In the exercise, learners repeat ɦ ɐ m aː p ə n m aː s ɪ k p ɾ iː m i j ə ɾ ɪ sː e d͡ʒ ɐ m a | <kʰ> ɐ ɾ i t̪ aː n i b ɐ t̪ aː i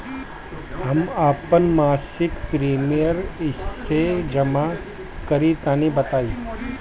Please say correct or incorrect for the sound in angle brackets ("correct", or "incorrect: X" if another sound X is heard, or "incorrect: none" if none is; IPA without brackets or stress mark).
incorrect: k